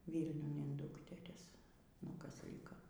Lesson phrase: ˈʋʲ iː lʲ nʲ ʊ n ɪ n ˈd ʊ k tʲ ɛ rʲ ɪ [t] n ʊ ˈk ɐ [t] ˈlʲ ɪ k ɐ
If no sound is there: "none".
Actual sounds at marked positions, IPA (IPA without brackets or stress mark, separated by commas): s, s